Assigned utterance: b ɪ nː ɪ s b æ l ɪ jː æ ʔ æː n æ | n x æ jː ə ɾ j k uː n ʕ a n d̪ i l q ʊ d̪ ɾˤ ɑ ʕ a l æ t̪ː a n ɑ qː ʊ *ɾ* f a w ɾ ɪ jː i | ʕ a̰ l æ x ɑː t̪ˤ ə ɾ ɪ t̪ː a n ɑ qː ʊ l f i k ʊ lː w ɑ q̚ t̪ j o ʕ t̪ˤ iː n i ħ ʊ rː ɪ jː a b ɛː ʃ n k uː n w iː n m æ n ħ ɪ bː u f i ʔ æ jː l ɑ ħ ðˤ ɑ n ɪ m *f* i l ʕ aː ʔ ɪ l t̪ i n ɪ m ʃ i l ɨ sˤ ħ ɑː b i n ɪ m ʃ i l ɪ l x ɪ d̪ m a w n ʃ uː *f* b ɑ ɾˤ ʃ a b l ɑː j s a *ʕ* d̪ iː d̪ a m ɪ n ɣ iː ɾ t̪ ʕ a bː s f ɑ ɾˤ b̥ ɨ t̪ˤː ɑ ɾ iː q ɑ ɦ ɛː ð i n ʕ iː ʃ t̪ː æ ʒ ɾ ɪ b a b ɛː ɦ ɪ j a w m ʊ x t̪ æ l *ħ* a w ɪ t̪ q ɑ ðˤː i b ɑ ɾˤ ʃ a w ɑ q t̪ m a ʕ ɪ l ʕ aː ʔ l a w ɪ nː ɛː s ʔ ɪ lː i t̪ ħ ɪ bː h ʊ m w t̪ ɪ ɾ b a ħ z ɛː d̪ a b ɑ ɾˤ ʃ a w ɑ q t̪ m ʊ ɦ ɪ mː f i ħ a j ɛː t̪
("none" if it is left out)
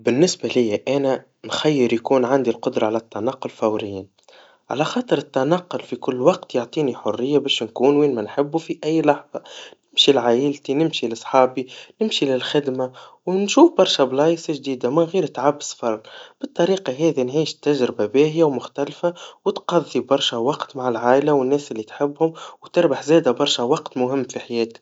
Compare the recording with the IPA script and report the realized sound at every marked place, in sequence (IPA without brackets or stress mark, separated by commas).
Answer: l, ʃ, f, ʒ, f